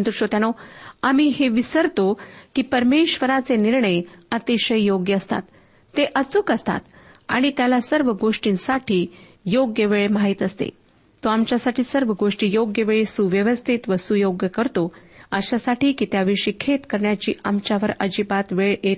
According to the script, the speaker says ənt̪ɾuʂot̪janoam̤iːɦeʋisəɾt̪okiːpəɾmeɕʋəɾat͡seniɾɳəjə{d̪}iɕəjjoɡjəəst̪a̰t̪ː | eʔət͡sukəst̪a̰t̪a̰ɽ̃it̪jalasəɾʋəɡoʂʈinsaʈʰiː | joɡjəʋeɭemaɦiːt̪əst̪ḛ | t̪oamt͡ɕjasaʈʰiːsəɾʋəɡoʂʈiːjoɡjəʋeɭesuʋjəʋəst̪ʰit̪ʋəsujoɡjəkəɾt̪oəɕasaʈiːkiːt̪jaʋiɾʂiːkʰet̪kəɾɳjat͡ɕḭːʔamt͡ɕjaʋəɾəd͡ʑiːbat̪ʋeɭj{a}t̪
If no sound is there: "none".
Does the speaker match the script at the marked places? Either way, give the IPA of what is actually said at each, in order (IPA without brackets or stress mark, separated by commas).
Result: t̪, e